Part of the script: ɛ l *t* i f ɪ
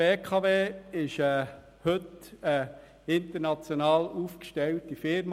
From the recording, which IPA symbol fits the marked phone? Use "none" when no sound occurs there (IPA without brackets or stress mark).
t